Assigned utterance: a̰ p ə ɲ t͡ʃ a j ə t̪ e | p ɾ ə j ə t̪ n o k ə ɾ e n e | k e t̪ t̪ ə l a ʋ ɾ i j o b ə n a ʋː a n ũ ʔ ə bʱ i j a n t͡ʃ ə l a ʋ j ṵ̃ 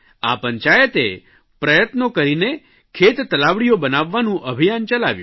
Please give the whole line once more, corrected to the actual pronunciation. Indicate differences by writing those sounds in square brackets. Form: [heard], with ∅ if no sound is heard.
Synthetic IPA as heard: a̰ p ə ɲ t͡ʃ a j ə t̪ e | p ɾ ə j ə t̪ n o k ə ɾ [i] n e | [kʰ] e t̪ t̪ ə l a ʋ [ɽ] i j o b ə n a ʋː a n ũ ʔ ə bʱ i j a n t͡ʃ ə l a ʋ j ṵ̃